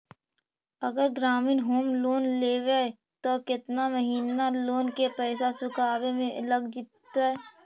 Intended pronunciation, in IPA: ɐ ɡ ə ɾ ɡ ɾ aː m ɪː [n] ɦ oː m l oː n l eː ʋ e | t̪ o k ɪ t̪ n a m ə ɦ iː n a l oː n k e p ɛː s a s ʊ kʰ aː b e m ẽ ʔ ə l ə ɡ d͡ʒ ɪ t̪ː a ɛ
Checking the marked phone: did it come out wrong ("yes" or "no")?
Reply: no